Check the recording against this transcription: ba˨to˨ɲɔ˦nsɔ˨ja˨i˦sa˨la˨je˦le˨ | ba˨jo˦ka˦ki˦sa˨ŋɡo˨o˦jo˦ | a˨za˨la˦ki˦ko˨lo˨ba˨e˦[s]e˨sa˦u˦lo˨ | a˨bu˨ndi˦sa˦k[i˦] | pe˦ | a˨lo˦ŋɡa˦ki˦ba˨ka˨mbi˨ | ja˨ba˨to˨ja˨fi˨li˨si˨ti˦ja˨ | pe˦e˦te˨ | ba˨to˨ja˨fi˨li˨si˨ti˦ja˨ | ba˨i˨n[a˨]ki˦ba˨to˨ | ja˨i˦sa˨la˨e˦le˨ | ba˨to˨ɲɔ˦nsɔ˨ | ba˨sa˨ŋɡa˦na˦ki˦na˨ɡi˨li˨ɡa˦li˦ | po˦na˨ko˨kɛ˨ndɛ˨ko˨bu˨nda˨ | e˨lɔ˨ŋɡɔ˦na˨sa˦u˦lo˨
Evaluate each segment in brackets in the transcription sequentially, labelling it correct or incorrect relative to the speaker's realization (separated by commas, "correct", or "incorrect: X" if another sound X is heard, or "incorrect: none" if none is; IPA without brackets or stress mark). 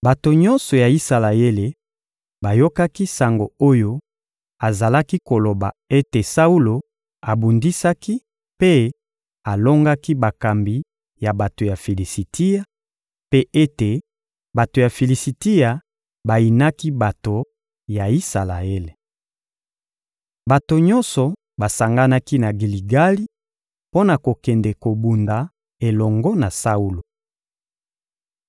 incorrect: t, correct, incorrect: a˦